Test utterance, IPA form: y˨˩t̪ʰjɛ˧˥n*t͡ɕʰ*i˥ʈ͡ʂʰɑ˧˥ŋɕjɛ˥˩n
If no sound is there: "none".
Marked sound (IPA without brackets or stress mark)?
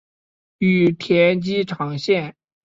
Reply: t͡ɕ